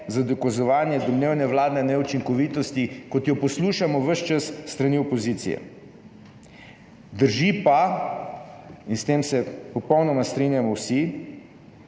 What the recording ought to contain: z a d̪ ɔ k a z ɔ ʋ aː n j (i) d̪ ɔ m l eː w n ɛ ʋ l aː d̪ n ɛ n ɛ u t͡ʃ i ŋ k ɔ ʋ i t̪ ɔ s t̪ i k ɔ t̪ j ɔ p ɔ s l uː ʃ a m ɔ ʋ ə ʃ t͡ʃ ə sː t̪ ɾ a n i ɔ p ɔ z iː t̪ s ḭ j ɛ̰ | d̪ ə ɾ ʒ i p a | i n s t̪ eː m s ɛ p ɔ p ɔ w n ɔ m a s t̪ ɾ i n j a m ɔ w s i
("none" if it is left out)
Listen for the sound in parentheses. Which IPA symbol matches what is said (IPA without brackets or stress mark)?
ɛ